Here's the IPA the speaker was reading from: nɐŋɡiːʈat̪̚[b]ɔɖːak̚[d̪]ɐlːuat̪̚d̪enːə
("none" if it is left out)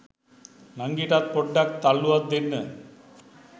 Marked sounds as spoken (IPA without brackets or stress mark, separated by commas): p, t̪